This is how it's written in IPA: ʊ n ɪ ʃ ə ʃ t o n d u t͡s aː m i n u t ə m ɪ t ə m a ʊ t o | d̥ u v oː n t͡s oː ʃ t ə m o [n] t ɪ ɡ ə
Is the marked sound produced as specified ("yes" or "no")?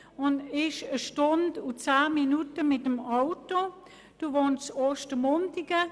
yes